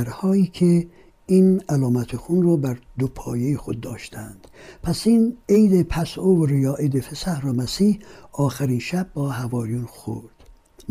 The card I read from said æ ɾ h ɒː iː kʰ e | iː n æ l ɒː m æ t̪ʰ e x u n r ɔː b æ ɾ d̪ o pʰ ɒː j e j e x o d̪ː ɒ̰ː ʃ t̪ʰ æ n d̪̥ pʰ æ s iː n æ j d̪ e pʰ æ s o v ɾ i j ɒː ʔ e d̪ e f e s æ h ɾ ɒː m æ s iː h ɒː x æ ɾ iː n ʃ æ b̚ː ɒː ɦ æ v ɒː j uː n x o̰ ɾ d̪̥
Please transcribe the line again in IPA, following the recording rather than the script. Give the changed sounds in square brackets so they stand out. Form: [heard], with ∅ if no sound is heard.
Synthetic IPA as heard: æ ɾ h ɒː iː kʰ e | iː n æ l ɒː m æ t̪ʰ e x u n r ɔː b æ ɾ d̪ o pʰ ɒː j e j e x o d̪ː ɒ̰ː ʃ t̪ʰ æ n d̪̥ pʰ æ s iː n [e] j d̪ e pʰ æ s o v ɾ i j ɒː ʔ e d̪ e f e s æ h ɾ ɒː m æ s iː h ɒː x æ ɾ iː n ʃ æ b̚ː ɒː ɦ æ v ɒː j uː n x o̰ ɾ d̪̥